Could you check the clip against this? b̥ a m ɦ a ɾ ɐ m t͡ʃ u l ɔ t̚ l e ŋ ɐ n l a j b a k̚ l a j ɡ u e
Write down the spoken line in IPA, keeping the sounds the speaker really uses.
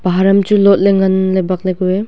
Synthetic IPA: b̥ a ɦ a ɾ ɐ m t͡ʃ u l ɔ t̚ l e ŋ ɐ n l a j b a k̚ l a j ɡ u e